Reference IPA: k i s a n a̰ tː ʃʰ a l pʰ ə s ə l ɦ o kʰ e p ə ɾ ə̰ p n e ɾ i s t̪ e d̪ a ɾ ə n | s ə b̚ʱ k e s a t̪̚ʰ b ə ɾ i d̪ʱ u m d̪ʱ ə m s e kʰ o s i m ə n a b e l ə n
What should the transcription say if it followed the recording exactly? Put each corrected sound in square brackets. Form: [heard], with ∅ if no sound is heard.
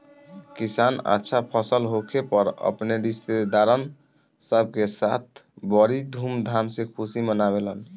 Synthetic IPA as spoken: k i s a n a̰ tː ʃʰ a [∅] pʰ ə s ə l ɦ o kʰ e p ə ɾ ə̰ p n e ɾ i s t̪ e d̪ a ɾ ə n | s ə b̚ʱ k e s a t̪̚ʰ b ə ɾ i d̪ʱ u m d̪ʱ [a] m s e kʰ [u] s i m ə n a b e l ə n